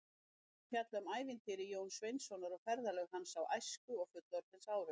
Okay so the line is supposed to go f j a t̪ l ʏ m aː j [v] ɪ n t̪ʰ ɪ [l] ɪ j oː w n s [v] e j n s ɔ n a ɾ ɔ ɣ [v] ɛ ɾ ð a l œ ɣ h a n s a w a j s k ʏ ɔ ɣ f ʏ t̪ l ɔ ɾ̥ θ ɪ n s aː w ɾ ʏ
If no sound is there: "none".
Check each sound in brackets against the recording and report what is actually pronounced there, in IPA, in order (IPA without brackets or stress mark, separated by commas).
v, ɾ, v, f